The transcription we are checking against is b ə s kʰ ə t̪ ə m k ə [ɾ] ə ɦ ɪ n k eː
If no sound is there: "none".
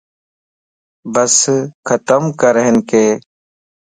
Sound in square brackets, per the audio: ɾ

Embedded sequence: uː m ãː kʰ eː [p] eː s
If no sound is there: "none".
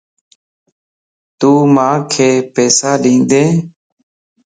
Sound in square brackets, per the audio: p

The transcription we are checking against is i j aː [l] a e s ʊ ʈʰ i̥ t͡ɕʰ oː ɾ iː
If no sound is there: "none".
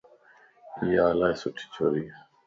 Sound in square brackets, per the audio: l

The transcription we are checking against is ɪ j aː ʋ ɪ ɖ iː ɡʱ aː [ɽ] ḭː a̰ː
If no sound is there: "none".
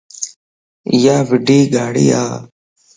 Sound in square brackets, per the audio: ɽ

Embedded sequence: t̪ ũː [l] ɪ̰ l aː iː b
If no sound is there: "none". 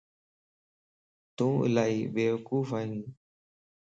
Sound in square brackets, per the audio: none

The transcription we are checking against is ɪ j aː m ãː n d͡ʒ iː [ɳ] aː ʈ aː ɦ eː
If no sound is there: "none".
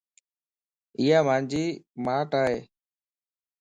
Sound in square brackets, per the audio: m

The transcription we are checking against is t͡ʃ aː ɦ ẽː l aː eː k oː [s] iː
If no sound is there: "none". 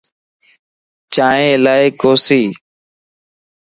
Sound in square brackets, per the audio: s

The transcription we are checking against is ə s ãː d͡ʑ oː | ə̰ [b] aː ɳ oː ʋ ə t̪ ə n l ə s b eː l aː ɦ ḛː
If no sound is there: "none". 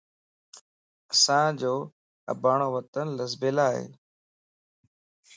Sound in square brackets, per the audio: b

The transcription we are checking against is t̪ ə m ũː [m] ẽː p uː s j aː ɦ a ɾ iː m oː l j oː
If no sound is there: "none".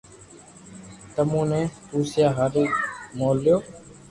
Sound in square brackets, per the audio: n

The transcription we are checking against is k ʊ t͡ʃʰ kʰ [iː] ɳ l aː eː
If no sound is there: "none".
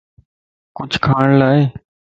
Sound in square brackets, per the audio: aː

